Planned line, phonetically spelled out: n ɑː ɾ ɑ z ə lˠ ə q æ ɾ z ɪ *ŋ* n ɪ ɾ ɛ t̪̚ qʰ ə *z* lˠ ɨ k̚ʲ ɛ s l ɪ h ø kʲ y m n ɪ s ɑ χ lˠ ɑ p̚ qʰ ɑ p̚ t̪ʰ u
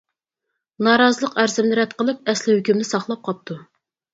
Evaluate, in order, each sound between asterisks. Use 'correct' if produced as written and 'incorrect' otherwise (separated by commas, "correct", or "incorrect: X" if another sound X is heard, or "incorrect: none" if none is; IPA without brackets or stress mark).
incorrect: m, incorrect: none